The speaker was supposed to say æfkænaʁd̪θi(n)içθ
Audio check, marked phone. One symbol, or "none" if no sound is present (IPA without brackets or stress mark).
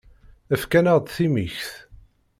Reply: m